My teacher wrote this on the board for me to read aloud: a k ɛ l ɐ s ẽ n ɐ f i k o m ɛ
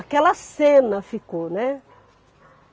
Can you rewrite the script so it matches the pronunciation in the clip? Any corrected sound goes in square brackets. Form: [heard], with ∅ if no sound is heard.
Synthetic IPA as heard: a k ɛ l ɐ s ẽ n ɐ f i k o [n] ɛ